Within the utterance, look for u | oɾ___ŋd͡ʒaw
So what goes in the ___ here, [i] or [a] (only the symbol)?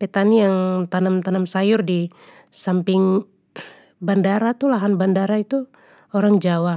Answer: a